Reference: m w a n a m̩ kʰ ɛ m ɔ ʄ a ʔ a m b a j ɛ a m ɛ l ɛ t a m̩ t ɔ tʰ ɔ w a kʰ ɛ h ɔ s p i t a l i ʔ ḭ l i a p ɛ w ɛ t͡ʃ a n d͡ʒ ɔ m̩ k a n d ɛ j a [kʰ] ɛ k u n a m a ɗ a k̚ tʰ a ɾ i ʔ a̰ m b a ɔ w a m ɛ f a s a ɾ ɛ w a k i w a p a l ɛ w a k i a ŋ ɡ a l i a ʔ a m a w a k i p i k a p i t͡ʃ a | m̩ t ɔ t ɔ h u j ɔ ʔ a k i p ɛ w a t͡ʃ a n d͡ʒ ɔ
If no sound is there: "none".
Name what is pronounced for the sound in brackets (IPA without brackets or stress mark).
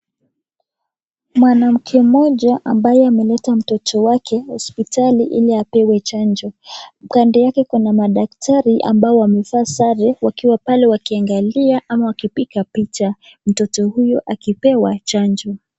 k